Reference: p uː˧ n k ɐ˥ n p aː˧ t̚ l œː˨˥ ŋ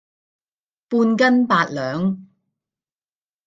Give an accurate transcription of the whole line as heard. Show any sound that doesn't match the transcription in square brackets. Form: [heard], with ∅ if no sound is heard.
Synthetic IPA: p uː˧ n k ɐ˥ n p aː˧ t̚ l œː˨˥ ŋ